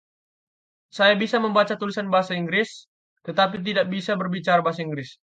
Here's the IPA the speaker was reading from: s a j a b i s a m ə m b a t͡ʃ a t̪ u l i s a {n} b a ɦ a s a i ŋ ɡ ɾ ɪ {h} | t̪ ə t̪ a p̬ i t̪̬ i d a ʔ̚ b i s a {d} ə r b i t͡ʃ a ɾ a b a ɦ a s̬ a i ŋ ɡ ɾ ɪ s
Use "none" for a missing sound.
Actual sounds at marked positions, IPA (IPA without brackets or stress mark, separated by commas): n, s, b